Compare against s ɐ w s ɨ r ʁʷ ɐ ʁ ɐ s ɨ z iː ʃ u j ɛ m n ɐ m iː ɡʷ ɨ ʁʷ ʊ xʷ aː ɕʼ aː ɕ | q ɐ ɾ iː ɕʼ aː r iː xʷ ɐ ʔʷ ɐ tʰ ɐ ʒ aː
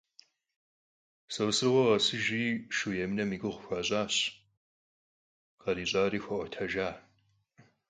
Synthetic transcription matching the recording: s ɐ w s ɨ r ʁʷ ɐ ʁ ɐ s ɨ ʒ iː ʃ u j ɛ m n ɐ m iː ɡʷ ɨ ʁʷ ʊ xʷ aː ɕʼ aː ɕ | q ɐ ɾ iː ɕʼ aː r iː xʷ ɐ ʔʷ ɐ tʰ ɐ ʒ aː